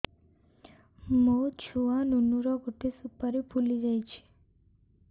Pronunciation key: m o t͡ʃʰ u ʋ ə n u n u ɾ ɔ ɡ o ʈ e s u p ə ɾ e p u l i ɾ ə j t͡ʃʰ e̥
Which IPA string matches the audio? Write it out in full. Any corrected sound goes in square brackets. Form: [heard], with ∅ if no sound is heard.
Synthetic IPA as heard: m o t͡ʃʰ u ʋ [a] n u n u ɾ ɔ ɡ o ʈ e s u p ə ɾ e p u l i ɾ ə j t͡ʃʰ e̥